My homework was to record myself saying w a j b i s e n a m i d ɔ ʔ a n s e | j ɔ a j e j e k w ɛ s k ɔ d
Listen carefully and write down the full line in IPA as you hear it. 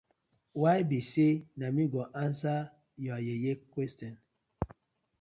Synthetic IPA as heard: w a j b i s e n a m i ɡ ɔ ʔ a n s a | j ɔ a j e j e k w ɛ s t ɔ n

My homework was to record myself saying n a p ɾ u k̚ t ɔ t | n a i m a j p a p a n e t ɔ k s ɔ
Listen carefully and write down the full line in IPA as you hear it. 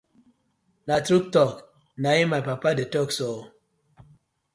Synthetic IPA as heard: n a t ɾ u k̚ t ɔ k | n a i m a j p a p a d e t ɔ k s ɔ

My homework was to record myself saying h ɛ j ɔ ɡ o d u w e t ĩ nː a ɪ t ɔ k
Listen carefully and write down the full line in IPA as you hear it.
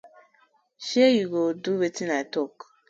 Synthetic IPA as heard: ʃ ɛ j u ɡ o d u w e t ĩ n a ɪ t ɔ k

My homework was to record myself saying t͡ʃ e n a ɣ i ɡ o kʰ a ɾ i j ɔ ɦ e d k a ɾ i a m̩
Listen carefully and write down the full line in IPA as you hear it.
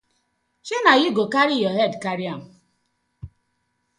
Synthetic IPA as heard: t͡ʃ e n a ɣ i ɡ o k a ɾ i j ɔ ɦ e d k a ɾ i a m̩

